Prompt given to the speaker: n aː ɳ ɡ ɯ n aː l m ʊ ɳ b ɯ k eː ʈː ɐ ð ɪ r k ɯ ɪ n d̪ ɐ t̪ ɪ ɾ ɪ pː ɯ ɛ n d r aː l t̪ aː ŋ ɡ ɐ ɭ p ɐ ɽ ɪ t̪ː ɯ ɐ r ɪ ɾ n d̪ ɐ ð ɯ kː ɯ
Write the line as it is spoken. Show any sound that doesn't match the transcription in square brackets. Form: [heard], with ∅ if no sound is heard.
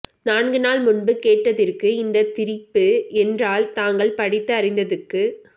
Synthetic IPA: n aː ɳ ɡ ɯ n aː l m ʊ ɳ b ɯ k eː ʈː ɐ ð ɪ r k ɯ ɪ n d̪ ɐ t̪ ɪ ɾ ɪ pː ɯ ɛ n d r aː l t̪ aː ŋ ɡ ɐ ɭ p ɐ ɽ ɪ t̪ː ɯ ɐ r ɪ [∅] n d̪ ɐ ð ɯ kː ɯ